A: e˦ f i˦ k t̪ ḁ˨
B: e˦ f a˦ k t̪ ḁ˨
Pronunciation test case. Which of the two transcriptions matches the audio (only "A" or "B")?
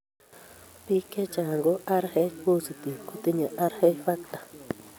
B